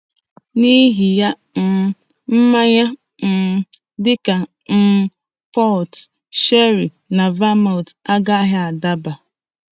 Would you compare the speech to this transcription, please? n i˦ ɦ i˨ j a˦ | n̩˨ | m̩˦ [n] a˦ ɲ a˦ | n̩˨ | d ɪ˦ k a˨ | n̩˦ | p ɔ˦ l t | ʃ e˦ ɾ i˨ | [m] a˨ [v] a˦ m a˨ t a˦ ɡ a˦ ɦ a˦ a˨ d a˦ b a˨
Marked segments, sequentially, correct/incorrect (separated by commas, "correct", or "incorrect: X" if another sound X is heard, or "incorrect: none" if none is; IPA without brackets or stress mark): incorrect: m, incorrect: n, correct